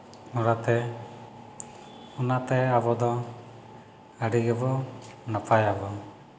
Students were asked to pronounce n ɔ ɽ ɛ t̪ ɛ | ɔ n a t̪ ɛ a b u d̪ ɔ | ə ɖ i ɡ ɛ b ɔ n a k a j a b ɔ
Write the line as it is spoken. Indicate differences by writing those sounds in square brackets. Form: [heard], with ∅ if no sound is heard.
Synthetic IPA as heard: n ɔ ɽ [a] t̪ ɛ | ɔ n a t̪ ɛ a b [ɔ] d̪ ɔ | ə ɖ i ɡ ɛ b ɔ n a [p] a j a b ɔ